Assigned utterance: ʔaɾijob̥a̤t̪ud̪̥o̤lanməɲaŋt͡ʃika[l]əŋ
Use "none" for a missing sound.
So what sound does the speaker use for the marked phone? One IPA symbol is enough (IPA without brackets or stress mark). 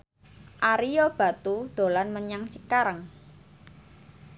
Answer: ɾ